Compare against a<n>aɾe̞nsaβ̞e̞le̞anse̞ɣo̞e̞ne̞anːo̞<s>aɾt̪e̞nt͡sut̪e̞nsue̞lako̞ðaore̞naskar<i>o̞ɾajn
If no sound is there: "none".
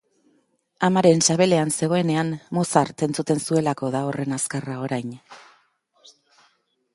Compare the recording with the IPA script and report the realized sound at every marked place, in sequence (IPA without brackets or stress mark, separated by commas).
m, s, a